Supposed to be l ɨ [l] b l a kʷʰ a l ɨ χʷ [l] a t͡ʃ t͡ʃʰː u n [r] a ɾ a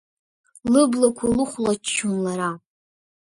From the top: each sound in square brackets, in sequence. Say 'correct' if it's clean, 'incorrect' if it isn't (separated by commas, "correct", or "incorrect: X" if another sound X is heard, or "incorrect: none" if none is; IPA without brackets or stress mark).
incorrect: none, correct, incorrect: l